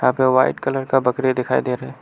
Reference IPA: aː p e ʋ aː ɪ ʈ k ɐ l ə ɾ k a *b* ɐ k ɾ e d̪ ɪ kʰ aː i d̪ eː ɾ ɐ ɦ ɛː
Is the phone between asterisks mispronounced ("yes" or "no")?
no